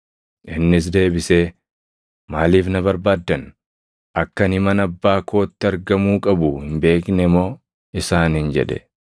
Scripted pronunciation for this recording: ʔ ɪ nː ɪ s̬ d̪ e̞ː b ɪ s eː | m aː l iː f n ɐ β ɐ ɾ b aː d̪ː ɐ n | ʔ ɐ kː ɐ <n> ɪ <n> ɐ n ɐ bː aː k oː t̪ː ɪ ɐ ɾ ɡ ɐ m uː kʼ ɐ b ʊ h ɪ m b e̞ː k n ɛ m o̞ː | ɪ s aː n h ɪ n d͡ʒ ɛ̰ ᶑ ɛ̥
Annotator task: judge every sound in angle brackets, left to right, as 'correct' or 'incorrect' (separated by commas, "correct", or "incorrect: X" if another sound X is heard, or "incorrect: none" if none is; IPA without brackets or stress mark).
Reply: correct, incorrect: m